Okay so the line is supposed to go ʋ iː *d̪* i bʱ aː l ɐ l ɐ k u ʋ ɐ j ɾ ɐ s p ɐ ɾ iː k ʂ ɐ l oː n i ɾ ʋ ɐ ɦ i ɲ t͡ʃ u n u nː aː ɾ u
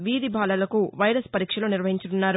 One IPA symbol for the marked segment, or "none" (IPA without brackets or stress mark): d̪